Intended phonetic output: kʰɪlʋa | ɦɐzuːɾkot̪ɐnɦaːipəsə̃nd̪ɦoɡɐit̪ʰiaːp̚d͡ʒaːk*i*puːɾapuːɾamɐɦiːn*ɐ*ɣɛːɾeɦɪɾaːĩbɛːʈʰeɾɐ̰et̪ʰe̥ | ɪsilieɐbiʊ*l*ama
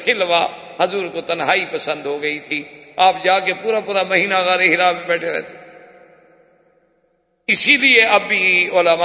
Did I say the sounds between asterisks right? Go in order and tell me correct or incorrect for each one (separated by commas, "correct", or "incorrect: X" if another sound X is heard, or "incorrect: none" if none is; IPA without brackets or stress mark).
incorrect: e, incorrect: a, correct